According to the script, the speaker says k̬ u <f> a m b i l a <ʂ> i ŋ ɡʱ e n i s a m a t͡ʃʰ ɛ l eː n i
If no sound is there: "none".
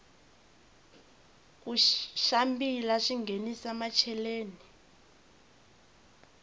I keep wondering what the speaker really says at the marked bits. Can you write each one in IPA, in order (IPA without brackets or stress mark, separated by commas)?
ʃ, ʂ